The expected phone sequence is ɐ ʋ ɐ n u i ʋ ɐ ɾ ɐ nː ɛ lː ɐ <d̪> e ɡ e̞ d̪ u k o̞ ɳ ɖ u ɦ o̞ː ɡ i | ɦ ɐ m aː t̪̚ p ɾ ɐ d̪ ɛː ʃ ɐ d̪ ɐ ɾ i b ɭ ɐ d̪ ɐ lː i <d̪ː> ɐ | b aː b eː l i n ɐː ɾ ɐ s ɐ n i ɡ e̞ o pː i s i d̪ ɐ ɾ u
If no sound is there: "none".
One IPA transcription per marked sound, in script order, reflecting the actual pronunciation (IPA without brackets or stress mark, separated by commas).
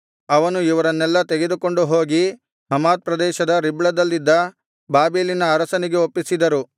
t̪, d̪ː